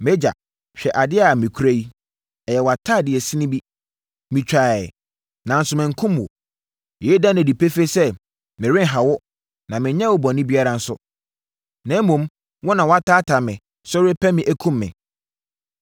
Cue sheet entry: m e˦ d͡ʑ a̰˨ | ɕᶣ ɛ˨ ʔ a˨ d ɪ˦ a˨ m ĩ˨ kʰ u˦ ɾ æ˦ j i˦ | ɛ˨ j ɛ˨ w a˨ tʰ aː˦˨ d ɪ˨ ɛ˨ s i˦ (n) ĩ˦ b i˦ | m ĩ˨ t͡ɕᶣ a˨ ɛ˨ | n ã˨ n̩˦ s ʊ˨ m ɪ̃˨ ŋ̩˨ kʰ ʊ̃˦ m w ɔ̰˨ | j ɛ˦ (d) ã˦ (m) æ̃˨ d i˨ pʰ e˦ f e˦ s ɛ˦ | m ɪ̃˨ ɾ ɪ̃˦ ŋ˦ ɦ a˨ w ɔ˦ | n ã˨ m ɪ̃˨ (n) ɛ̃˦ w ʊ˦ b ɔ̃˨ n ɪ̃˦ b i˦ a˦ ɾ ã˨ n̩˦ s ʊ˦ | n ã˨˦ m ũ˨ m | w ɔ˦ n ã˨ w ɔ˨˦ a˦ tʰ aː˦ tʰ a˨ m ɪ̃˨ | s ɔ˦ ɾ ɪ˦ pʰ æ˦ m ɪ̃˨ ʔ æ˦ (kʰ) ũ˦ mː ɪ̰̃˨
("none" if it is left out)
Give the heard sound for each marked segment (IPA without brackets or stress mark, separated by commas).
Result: n, d, n, ɲ, kʰ